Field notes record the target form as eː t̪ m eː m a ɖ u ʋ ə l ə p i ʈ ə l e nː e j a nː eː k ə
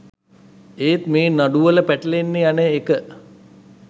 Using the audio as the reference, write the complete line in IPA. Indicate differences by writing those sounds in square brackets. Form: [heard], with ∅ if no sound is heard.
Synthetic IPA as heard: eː t̪ m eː [n] a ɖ u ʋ ə l ə p [æ] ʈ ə l e nː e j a [n] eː k ə